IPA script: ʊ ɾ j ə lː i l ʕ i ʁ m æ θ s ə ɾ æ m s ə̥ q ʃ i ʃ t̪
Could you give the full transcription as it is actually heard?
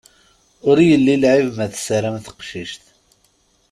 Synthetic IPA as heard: ʊ ɾ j ə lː i l ʕ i v m æ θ s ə ɾ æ m θ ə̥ q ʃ i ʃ t̪